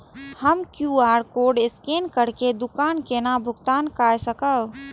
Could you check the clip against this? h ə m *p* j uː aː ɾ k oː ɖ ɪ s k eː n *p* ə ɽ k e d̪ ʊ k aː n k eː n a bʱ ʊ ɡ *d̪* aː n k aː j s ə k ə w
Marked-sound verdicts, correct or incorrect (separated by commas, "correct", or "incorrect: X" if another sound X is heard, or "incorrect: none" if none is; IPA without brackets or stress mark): incorrect: k, incorrect: k, incorrect: t̪